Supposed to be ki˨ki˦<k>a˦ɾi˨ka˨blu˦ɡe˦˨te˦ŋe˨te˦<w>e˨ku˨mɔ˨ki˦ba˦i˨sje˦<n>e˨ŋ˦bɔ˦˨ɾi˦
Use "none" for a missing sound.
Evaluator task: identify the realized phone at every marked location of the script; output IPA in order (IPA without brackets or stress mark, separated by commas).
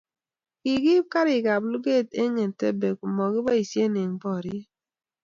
k, b, n